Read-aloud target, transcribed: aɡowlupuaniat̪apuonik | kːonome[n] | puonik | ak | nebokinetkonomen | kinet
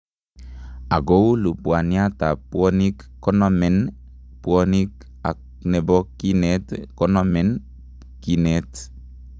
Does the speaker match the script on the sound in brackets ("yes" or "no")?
yes